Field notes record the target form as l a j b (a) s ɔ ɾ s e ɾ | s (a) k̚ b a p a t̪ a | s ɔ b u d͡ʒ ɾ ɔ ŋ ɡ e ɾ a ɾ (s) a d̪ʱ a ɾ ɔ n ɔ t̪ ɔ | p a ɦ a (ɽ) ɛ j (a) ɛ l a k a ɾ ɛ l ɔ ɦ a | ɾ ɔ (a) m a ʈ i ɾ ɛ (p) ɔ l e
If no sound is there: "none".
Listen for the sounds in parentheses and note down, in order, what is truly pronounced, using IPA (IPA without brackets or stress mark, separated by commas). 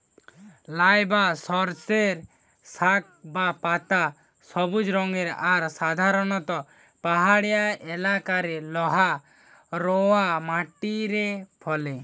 a, a, s, ɽ, a, a, pʰ